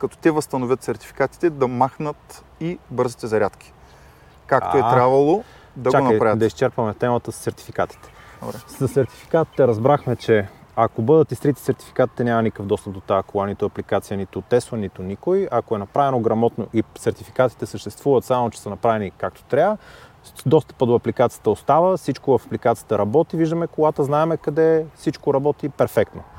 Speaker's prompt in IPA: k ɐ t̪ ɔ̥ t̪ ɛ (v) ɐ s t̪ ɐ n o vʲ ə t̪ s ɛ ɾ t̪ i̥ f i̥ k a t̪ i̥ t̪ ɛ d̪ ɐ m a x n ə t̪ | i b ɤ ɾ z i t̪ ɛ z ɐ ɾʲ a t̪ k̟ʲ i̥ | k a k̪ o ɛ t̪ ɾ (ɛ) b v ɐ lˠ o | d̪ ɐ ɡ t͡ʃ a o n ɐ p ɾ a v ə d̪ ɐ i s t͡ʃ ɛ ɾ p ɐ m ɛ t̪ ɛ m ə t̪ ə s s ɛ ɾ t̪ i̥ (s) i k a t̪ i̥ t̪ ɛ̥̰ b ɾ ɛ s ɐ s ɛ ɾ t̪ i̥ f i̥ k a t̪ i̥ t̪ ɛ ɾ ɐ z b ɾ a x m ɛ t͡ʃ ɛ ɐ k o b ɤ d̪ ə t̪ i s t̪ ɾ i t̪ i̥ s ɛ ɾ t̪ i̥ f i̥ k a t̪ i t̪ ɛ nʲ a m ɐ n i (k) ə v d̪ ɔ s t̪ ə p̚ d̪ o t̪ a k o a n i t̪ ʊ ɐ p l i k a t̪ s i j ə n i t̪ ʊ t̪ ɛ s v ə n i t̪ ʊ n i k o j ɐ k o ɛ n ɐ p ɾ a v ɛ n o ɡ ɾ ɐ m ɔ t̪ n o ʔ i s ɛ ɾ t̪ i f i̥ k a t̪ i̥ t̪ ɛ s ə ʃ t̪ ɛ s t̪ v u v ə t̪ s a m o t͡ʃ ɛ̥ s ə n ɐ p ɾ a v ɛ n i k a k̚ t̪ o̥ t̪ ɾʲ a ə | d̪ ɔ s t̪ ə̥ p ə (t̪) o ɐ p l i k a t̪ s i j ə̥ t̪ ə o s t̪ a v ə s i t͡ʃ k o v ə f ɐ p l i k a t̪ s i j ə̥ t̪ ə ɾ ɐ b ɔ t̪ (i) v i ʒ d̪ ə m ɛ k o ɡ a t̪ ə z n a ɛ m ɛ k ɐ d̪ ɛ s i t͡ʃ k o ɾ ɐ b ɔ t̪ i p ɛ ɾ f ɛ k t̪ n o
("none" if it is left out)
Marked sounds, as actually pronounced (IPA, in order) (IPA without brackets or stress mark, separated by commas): v, a, f, k, d̪, i